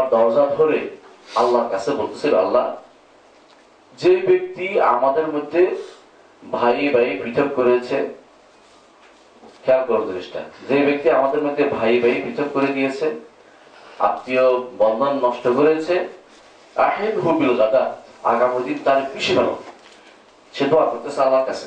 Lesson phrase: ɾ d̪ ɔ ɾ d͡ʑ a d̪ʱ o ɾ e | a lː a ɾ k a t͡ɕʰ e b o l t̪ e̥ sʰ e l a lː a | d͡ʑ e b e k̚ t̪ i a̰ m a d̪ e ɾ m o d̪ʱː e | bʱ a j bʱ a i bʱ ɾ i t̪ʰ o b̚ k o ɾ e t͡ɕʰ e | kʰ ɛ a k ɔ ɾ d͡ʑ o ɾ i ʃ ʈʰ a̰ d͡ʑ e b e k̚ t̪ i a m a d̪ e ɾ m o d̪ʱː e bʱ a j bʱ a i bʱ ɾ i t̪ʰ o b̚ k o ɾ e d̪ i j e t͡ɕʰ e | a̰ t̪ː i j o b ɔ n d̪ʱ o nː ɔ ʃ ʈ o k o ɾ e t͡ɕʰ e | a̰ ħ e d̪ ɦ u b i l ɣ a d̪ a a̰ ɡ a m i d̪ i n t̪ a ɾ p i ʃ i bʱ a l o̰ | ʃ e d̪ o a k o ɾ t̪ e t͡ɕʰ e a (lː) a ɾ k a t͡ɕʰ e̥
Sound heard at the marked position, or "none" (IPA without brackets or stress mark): lː